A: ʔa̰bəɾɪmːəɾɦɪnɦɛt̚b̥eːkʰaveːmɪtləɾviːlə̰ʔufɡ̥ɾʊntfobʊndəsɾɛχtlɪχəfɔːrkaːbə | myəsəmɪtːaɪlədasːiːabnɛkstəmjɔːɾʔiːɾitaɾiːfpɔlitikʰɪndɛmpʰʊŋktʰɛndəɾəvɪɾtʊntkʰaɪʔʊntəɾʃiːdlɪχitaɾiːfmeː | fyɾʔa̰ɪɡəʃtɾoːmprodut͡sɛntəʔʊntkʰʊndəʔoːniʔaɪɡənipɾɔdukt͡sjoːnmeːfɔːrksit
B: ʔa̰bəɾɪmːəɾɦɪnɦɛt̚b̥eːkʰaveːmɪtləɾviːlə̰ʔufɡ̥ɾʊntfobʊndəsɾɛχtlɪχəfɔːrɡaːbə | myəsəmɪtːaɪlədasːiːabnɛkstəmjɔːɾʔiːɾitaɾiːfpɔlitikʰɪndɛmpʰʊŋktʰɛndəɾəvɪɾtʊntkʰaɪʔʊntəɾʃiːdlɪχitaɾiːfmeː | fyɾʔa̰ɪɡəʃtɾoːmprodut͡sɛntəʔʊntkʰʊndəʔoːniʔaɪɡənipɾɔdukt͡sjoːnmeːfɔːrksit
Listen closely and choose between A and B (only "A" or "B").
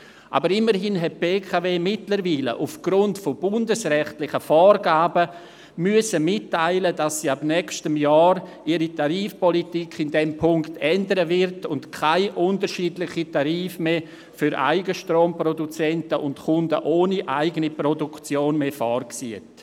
B